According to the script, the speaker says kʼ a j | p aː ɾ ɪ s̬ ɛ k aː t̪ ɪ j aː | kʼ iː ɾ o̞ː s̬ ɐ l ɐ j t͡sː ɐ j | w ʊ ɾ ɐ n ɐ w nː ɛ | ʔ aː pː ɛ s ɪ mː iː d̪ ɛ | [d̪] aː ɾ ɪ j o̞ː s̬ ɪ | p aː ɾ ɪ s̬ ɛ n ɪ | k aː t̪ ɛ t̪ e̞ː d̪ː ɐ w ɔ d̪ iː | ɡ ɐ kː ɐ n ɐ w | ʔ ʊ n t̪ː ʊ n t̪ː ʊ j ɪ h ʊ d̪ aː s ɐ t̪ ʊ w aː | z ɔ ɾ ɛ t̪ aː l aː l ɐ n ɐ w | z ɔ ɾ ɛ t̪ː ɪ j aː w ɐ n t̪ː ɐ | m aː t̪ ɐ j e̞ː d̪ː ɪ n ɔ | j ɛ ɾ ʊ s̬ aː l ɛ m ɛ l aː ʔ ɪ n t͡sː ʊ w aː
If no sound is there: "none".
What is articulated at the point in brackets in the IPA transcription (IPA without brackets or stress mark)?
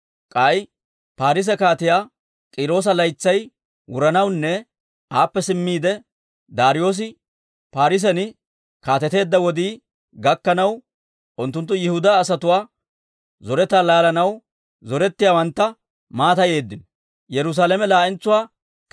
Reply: d̪